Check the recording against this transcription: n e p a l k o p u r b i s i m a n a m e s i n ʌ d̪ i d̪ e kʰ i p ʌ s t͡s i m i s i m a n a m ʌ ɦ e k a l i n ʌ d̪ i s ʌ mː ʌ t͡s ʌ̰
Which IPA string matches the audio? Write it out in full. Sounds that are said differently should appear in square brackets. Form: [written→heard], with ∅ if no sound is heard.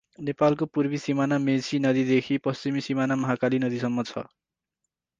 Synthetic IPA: n e p a l k o p u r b i s i m a n a m e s i n ʌ d̪ i d̪ e kʰ i p ʌ s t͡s i m i s i m a n a m ʌ ɦ [e→a] k a l i n ʌ d̪ i s ʌ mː ʌ [t͡s→t͡sʰ] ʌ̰